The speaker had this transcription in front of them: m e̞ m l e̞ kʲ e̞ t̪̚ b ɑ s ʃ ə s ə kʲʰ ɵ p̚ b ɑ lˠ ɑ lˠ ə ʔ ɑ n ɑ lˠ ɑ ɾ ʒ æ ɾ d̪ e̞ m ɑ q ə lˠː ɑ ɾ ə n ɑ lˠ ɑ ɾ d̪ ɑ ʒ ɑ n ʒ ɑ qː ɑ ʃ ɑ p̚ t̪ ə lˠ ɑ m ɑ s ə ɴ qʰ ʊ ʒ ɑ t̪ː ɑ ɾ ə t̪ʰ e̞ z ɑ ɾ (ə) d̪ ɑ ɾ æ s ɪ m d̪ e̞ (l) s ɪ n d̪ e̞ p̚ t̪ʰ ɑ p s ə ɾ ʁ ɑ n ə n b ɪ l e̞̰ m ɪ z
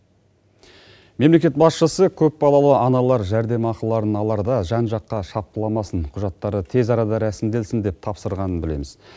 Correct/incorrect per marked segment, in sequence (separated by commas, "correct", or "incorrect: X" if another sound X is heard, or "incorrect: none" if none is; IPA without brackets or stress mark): incorrect: ɑ, correct